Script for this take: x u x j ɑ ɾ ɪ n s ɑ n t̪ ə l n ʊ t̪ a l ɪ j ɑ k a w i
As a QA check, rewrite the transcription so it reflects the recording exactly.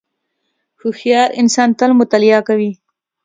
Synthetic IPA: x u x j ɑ ɾ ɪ n s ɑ n t̪ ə l m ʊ t̪ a l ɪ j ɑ k a w i